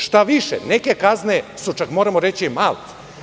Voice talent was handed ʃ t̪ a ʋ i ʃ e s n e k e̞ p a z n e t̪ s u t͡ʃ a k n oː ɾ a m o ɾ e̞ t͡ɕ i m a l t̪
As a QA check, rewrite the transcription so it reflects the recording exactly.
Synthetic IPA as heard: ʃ t̪ a ʋ i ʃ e n e k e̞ k a z n e s u t͡ʃ a k m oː ɾ a m o ɾ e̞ t͡ɕ i m a l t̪